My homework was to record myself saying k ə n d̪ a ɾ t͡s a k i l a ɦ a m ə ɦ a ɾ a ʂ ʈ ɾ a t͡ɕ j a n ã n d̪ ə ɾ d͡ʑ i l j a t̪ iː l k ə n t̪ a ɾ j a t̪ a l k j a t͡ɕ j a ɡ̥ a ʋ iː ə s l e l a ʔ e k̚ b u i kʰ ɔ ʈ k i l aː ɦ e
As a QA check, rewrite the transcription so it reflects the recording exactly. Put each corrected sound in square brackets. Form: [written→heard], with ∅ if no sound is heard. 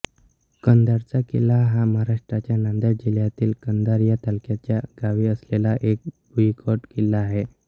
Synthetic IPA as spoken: k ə n d̪ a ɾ t͡s a k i l a ɦ a m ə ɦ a ɾ a ʂ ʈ ɾ a t͡ɕ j a n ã n d̪ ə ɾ d͡ʑ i l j a t̪ iː l k ə n [t̪→d̪] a ɾ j a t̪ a l k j a t͡ɕ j a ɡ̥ a ʋ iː ə s l e l a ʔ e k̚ b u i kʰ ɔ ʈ k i l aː ɦ e